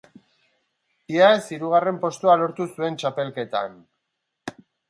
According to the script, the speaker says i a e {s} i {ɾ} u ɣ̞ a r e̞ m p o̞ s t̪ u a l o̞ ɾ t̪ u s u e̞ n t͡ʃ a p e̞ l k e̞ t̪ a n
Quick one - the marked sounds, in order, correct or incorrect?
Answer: correct, correct

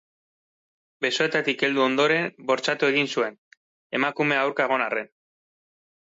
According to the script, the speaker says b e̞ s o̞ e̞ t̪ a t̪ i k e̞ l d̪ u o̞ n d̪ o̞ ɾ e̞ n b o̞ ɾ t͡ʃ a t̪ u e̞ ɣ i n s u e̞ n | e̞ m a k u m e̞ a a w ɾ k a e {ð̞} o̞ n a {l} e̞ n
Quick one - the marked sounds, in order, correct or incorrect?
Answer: incorrect, incorrect

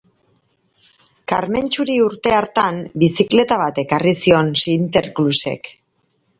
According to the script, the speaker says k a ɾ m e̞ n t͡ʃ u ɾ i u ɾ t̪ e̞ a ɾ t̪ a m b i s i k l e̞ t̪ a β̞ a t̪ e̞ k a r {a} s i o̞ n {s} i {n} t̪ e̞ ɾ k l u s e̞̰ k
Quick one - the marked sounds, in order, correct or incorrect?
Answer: incorrect, correct, correct

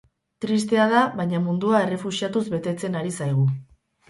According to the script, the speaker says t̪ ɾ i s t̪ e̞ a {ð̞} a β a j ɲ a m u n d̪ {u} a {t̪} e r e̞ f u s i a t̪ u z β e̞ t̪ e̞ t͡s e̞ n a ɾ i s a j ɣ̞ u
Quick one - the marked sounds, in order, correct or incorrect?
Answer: correct, correct, incorrect

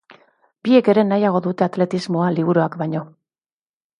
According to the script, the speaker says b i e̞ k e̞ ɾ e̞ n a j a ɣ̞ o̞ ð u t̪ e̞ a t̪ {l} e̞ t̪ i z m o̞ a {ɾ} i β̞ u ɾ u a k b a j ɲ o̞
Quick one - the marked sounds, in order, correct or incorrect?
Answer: correct, incorrect

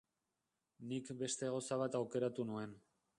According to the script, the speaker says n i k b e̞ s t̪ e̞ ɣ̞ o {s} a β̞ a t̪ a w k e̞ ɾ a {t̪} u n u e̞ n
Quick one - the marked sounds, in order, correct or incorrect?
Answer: correct, correct

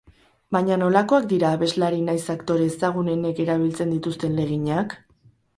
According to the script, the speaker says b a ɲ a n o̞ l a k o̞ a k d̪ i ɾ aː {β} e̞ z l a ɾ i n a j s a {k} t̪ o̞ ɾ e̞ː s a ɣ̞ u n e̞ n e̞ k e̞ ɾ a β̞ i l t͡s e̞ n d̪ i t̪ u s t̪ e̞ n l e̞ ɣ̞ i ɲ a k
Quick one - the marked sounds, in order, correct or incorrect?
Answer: correct, correct

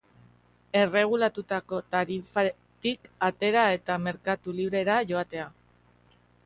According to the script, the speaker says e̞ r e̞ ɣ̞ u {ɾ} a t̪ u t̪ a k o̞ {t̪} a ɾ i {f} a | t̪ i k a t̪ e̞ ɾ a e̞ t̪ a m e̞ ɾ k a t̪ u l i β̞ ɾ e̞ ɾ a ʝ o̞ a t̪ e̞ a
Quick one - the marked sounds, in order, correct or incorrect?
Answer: incorrect, correct, correct

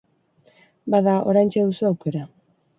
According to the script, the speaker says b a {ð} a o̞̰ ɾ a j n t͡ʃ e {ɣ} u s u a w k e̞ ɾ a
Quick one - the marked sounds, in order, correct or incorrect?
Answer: correct, incorrect

